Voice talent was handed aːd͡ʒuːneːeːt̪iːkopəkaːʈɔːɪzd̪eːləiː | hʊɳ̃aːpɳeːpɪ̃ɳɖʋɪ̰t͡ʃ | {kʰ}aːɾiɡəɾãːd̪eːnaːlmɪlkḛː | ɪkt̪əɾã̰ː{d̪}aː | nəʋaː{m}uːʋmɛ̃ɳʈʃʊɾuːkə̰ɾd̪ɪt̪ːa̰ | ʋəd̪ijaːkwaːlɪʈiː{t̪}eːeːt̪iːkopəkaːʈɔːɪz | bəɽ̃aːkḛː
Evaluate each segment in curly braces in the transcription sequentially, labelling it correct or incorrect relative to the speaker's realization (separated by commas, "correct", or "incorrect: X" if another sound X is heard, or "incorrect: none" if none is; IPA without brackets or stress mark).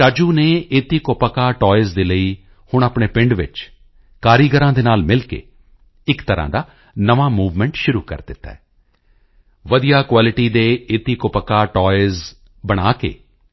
incorrect: k, correct, correct, incorrect: d̪